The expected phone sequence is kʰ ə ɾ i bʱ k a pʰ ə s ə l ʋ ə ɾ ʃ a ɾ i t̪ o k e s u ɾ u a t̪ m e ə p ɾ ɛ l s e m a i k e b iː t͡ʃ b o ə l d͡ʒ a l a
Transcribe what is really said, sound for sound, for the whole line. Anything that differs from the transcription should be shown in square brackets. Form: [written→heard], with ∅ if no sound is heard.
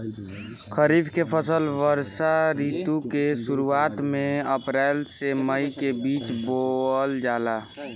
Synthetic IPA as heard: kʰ ə ɾ i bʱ k [a→e] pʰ ə s ə l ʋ ə ɾ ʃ a ɾ i t̪ [o→u] k e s u ɾ u a t̪ m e ə p ɾ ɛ l s e m [a→ə] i k e b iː t͡ʃ b o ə l d͡ʒ a l a